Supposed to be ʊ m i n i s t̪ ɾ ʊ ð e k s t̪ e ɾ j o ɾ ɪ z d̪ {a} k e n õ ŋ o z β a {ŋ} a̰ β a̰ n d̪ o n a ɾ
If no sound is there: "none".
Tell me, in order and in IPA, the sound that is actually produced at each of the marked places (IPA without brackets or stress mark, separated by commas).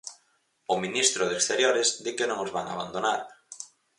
i, ŋ